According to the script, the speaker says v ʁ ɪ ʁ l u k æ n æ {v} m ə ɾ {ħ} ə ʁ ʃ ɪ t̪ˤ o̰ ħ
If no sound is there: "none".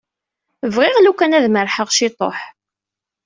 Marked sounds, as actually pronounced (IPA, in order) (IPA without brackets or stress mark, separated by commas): ð, ħ